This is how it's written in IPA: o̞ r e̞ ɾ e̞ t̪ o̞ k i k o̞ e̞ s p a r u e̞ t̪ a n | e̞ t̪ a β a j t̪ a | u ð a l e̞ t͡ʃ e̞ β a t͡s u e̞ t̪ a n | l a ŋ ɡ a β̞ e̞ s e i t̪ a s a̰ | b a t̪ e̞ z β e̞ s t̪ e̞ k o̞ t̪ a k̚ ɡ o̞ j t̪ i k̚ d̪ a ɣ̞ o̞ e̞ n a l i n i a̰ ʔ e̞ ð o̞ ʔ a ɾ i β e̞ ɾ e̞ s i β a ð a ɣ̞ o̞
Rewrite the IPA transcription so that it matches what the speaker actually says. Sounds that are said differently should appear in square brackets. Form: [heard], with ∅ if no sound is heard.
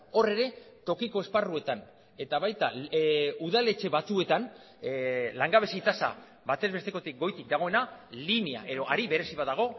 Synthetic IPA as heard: o̞ r e̞ ɾ e̞ t̪ o̞ k i k o̞ e̞ s p a r u e̞ t̪ a n | e̞ t̪ a β a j t̪ a | u ð a l e̞ t͡ʃ e̞ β a t͡s u e̞ t̪ a n | l a ŋ ɡ a β̞ e̞ s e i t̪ a s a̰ | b a t̪ e̞ z β e̞ s t̪ e̞ k o̞ t̪ [i] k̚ ɡ o̞ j t̪ i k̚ d̪ a ɣ̞ o̞ e̞ n a l i n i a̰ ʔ e̞ ð o̞ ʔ a ɾ i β e̞ ɾ e̞ s i β a ð a ɣ̞ o̞